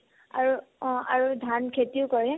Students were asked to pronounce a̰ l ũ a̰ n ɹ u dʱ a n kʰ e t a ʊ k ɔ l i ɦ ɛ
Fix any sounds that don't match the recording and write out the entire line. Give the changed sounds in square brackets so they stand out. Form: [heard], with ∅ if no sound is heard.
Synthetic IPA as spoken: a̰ [ɹ] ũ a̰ [∅] ɹ u dʱ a n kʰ e t [i] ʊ k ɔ [ɹ] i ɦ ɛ